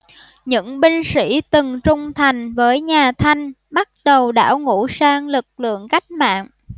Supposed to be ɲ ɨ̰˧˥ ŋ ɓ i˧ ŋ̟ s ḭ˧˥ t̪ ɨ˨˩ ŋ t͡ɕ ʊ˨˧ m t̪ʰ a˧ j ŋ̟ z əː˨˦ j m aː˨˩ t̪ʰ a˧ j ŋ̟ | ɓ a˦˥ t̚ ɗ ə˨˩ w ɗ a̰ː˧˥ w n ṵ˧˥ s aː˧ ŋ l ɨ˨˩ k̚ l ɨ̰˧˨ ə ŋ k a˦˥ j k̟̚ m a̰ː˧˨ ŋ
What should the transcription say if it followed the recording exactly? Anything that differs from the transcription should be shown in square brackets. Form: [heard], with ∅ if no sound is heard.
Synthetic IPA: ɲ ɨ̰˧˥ ŋ ɓ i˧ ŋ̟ s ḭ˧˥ t̪ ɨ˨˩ ŋ t͡ɕ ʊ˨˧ [ŋ͡m] t̪ʰ [a˨˩] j ŋ̟ [v] əː˨˦ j [ɲ] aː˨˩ t̪ʰ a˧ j ŋ̟ | ɓ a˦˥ t̚ ɗ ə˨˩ w ɗ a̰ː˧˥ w [ŋ] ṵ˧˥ s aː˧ ŋ l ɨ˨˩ k̚ l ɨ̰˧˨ ə ŋ k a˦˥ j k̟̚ m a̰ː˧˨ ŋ

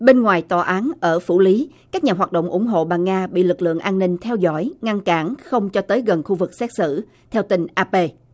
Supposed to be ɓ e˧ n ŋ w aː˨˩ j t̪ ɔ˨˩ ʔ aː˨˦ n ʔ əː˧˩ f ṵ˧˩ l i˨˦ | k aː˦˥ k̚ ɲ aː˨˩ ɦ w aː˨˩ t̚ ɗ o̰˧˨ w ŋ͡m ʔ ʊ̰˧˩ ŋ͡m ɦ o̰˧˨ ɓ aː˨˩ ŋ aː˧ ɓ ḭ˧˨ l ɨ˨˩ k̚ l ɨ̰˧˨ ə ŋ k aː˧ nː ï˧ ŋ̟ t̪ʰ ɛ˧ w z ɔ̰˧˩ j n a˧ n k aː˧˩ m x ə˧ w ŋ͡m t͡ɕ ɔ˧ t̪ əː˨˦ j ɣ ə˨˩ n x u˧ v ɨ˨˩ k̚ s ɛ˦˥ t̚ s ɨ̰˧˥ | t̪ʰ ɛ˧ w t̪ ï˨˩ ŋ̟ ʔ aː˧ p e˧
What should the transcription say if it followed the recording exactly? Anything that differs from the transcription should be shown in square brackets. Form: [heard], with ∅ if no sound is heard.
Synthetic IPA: ɓ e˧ n ŋ w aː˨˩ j t̪ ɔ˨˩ ʔ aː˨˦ n ʔ əː˧˩ f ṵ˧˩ l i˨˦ | k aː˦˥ k̚ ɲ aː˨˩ ɦ w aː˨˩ t̚ ɗ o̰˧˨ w ŋ͡m ʔ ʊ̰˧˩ ŋ͡m ɦ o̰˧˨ ɓ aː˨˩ ŋ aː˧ ɓ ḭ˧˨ l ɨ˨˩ k̚ l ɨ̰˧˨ ə ŋ [ʔ] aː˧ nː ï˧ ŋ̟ t̪ʰ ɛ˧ w z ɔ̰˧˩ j [ŋ] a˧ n k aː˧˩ [n] x ə˧ w ŋ͡m t͡ɕ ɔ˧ t̪ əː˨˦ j ɣ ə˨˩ n x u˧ v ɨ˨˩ k̚ s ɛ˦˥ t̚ s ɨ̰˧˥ | t̪ʰ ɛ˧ w t̪ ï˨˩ ŋ̟ ʔ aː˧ p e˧

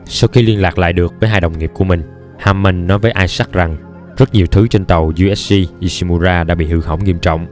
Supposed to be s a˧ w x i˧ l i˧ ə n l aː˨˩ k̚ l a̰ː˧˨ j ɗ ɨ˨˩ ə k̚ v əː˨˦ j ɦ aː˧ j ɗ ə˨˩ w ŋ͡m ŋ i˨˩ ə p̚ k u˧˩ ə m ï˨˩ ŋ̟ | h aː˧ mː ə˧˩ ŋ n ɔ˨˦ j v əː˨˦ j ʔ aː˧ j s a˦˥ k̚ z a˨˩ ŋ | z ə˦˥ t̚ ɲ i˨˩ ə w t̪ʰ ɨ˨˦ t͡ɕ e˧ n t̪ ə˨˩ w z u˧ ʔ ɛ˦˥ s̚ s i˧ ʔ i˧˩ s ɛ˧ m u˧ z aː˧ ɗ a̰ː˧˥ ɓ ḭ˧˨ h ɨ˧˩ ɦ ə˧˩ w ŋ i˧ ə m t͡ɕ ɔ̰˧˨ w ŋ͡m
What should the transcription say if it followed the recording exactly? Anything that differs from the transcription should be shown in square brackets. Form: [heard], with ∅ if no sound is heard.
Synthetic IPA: s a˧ w x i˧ l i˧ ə n l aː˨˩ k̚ l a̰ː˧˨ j ɗ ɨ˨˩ ə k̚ v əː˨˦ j ɦ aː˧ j ɗ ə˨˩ w ŋ͡m ŋ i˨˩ ə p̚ k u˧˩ ə m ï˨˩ ŋ̟ | h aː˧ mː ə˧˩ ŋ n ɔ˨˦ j v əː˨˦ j ʔ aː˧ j s a˦˥ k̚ z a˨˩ ŋ | z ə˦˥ t̚ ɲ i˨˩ ə w t̪ʰ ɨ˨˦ t͡ɕ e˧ n t̪ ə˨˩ w z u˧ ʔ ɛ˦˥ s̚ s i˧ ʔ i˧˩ s [i˧] m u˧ z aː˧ ɗ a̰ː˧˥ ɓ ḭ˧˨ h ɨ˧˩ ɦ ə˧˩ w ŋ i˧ ə m t͡ɕ ɔ̰˧˨ w ŋ͡m

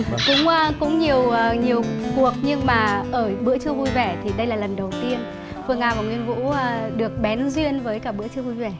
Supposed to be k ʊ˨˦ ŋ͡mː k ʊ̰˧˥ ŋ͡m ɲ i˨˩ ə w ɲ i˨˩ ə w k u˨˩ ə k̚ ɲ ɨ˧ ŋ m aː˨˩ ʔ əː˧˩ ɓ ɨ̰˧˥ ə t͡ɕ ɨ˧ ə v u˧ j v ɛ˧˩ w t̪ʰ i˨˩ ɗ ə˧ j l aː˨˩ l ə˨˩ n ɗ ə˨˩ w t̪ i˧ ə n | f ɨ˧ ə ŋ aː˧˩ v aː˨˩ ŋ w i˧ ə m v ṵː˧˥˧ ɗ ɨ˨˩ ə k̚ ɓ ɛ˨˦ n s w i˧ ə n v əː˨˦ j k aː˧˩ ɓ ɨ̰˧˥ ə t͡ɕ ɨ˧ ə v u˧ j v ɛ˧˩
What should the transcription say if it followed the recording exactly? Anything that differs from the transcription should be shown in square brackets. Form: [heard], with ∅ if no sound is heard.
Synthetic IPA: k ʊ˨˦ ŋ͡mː k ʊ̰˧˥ ŋ͡m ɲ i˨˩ ə w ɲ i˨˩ ə w k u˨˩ ə k̚ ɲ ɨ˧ ŋ m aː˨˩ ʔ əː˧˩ ɓ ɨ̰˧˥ ə t͡ɕ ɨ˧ ə v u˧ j v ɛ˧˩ [∅] t̪ʰ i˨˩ ɗ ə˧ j l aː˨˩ l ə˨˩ n ɗ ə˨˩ w t̪ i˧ ə n | f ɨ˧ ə ŋ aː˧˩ v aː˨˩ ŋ w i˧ ə [n] v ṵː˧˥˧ ɗ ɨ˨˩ ə k̚ ɓ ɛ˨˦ n [z] w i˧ ə n v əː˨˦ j k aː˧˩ ɓ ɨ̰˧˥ ə t͡ɕ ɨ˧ ə v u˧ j v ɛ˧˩

